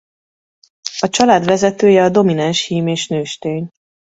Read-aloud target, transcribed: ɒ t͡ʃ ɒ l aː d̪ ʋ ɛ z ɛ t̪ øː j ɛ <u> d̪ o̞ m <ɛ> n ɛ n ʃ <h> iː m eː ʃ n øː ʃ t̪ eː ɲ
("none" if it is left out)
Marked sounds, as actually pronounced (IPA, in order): ɒ, i, h

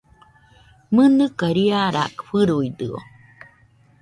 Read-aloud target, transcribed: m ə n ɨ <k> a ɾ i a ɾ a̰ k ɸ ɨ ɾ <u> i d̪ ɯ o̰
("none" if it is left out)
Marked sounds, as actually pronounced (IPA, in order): k, u

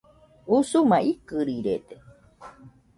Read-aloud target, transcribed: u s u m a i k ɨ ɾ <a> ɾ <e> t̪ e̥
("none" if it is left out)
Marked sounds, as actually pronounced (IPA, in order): i, e

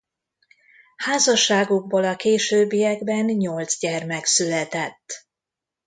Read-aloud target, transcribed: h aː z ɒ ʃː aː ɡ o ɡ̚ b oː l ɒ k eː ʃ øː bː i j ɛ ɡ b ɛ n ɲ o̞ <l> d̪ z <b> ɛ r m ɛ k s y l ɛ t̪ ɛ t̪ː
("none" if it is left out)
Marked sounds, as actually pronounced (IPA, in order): l, ɟ

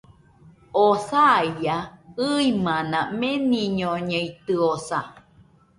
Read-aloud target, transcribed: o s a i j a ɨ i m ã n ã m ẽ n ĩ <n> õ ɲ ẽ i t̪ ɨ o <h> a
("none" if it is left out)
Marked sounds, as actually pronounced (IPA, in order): ɲ, s

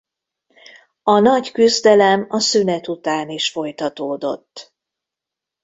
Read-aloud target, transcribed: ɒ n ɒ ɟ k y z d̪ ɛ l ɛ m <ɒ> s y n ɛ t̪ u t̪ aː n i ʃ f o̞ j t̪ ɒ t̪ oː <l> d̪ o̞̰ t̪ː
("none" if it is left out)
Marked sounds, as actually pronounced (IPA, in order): ɒ, none

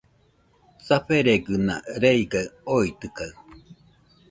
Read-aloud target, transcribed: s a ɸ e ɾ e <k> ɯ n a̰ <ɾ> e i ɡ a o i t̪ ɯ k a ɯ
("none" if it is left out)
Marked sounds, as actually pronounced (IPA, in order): ɡ, ɾ

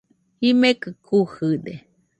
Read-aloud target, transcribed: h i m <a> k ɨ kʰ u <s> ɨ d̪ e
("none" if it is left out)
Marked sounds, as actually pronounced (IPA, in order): e, h

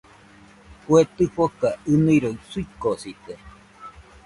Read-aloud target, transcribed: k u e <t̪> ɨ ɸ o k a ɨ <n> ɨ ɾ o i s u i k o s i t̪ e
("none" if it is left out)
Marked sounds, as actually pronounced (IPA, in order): t̪, n

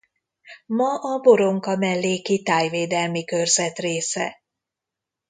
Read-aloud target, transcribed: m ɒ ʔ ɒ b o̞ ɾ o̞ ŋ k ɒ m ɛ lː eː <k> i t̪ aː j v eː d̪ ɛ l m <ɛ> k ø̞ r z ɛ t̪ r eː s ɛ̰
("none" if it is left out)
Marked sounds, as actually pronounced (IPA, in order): k, i

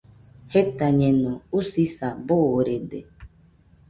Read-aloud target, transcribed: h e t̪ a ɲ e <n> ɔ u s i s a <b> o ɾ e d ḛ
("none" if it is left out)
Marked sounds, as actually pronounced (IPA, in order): n, b

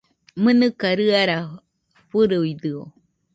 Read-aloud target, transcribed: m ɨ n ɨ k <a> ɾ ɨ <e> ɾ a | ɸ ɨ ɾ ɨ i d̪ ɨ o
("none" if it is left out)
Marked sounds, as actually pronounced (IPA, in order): a, a

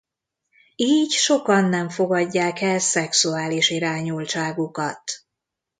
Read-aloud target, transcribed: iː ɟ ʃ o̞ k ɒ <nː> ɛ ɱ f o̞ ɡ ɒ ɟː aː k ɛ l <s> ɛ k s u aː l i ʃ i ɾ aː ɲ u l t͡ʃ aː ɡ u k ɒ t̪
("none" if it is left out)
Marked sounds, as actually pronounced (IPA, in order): nː, s

